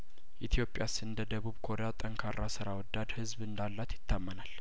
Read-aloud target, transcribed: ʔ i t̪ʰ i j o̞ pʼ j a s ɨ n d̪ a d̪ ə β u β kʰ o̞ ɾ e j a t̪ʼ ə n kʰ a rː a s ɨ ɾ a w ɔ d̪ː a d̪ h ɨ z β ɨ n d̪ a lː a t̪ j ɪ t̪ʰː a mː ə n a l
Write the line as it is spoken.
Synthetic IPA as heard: ʔ i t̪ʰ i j o̞ pʼ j a s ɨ n d̪ ə d̪ ə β u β kʰ o̞ ɾ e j a t̪ʼ ə ŋ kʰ a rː a s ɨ ɾ a w ɔ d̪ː a d̪ h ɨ z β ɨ n d̪ a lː a t̪ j ɪ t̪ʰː a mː ə n a l